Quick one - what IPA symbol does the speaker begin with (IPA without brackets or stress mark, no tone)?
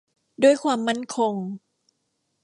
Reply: d